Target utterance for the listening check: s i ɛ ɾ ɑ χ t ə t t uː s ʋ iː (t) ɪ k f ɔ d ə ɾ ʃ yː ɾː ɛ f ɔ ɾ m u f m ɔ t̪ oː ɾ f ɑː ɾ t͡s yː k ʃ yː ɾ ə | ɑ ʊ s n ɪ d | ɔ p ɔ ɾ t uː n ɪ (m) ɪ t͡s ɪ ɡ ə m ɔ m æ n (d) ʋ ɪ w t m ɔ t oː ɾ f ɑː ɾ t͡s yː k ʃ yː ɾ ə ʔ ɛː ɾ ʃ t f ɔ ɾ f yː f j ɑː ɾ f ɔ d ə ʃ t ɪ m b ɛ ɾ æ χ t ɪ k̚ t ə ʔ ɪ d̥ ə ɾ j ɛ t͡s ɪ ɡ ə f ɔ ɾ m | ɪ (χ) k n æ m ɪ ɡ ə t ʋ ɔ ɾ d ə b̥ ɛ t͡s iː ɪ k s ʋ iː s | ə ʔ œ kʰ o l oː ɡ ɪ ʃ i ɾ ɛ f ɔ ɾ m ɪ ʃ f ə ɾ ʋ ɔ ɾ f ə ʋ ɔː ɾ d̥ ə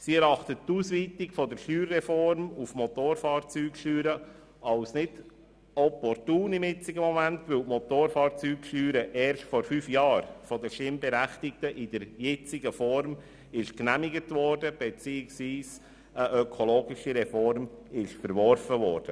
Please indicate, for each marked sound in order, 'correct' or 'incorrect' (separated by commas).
correct, correct, incorrect, incorrect